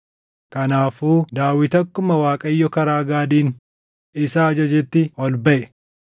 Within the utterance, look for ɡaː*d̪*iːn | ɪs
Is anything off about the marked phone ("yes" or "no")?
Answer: no